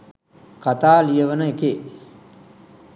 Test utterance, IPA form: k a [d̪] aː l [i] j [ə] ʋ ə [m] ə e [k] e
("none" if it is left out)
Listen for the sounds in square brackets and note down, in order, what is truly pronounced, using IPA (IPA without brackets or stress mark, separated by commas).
t̪, i, ə, n, k